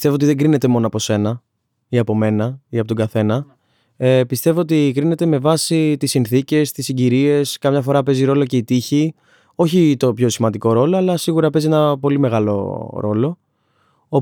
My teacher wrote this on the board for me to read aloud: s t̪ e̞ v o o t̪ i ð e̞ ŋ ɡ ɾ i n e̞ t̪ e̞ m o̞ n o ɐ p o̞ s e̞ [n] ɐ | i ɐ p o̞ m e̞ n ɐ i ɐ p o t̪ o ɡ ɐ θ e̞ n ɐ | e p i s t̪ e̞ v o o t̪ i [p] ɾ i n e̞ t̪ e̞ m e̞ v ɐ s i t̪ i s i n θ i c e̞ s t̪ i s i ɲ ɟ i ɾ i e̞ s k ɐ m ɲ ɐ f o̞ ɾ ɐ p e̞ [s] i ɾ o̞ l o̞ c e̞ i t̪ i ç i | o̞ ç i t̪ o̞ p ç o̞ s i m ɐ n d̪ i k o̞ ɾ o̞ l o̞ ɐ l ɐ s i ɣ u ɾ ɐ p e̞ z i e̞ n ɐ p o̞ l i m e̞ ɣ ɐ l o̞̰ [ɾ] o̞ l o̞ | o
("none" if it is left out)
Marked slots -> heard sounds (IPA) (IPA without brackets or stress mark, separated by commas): n, k, z, ɾ